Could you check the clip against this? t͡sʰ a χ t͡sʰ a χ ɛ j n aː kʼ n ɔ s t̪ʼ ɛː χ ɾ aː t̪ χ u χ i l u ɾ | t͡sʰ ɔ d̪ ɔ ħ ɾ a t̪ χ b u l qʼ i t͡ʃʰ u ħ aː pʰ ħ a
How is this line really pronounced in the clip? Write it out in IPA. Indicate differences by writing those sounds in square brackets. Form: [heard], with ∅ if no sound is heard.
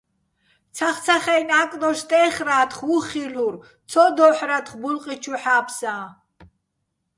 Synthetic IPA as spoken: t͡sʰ a χ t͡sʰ a χ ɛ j n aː kʼ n ɔ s t̪ʼ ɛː χ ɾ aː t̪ χ u χ i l u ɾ | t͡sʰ ɔ d̪ ɔ ħ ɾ a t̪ χ b u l qʼ i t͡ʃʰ u ħ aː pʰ [s] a